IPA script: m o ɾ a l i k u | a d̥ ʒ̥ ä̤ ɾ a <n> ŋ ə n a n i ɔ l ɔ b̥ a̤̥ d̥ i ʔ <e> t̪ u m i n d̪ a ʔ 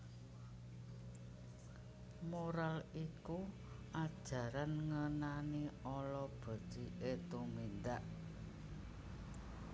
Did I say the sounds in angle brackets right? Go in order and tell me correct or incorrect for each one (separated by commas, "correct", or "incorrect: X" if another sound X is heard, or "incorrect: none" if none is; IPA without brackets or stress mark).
correct, correct